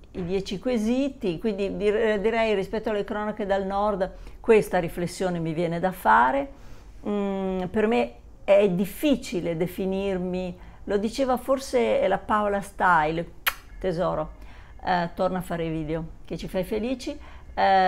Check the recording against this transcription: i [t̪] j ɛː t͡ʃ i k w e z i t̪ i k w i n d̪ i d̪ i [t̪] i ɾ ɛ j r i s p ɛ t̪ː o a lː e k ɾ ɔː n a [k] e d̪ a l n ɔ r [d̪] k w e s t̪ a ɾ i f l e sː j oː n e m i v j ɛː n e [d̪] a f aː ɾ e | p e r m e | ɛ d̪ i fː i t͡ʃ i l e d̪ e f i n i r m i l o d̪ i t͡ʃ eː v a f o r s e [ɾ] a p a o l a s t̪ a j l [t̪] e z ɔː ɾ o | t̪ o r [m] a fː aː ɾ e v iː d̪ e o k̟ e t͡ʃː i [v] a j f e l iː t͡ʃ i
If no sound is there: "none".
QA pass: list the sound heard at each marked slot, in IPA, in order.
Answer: d̪, d̪, k, d̪, d̪, l, t̪, n, f

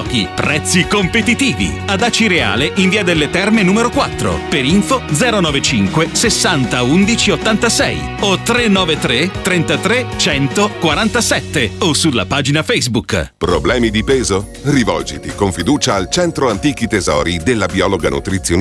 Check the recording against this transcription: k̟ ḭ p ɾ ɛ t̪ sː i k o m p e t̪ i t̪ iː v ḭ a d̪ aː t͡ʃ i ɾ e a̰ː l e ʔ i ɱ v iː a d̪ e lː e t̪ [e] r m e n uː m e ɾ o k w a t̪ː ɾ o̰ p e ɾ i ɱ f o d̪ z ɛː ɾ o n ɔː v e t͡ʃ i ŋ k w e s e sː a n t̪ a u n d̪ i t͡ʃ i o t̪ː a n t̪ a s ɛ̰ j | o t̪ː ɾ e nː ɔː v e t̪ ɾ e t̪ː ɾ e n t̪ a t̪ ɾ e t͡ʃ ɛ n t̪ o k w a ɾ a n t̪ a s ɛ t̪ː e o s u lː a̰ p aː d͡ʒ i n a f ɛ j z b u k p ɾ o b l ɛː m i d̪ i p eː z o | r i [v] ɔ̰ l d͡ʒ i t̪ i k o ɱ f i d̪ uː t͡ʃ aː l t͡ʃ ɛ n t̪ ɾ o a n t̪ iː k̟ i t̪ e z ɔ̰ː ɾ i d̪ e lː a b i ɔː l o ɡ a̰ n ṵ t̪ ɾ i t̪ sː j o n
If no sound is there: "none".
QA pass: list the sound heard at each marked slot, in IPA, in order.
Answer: ɛ, v

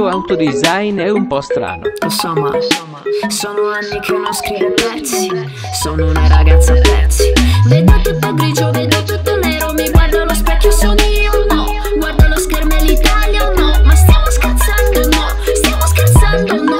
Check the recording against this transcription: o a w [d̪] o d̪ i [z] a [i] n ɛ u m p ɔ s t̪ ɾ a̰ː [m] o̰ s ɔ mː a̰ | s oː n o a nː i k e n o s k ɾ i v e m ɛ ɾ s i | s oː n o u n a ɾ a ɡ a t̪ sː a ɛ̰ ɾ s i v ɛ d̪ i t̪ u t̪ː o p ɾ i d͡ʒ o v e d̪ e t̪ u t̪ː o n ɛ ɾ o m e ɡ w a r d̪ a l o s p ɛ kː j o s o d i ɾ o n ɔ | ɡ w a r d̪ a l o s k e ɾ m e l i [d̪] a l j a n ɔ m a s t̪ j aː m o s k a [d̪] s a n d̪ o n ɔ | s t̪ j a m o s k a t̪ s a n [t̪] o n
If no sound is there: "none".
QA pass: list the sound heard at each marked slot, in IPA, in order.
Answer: t̪, z, j, n, t̪, t̪, d̪

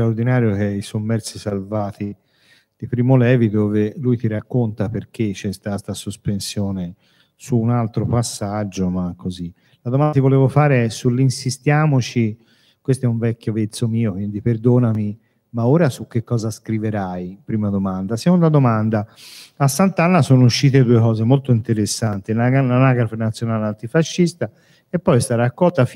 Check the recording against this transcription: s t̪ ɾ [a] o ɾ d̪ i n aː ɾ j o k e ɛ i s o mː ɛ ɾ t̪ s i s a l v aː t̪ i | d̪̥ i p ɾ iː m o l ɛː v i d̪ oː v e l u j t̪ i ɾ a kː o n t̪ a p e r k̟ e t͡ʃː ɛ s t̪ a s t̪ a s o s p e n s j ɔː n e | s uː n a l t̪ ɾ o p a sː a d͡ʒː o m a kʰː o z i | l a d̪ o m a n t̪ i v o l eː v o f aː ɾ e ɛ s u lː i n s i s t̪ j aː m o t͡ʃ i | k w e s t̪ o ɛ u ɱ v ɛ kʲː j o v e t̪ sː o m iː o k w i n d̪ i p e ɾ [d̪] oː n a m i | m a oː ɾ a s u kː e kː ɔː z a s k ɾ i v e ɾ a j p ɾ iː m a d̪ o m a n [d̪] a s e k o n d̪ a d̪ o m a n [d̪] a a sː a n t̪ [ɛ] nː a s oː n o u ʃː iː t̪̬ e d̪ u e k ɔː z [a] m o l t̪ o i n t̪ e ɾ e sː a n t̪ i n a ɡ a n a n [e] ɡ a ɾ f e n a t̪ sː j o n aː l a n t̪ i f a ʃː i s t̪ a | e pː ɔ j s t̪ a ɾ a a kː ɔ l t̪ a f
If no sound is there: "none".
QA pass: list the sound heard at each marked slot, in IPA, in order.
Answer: a, d̪, d̪, d̪, a, e, a

